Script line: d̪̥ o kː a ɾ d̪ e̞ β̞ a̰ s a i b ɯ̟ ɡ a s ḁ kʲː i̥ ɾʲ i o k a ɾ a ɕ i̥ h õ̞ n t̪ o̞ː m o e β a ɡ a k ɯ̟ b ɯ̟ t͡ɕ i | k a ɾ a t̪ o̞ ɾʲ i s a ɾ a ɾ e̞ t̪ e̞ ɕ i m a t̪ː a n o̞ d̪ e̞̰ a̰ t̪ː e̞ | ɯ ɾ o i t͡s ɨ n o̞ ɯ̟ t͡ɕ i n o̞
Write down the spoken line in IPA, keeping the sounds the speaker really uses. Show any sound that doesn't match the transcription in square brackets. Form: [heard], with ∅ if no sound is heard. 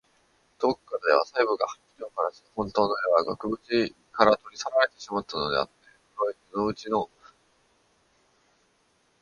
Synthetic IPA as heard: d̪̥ o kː a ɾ d̪ e̞ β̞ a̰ s a i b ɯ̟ ɡ a [h] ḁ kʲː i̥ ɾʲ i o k a ɾ a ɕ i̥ h õ̞ n t̪ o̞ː [n] o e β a ɡ a k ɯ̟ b ɯ̟ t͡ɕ i | k a ɾ a t̪ o̞ ɾʲ i s a ɾ a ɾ e̞ t̪ e̞ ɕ i m a t̪ː a n o̞ d̪ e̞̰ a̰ t̪ː e̞ | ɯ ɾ o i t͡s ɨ n o̞ ɯ̟ t͡ɕ i n o̞